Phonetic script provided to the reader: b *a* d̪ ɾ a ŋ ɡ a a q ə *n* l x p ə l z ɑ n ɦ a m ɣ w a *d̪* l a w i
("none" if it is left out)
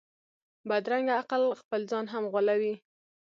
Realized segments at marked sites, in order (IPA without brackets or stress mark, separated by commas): a, none, none